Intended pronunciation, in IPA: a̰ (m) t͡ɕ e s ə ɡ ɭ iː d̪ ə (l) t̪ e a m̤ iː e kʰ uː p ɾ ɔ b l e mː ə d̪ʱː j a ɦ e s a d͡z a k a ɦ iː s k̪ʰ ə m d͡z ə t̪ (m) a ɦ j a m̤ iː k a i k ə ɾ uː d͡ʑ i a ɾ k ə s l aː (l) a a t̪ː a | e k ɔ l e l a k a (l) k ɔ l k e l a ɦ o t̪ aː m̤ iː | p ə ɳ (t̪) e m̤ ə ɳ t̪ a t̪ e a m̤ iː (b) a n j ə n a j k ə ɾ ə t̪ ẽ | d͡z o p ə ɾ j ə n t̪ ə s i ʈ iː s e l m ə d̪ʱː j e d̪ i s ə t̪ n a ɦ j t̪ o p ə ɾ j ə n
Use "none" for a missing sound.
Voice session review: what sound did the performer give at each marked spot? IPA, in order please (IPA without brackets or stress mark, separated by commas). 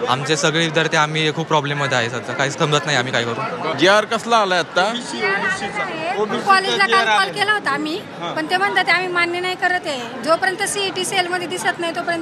m, ɾ, n, l, l, t̪, m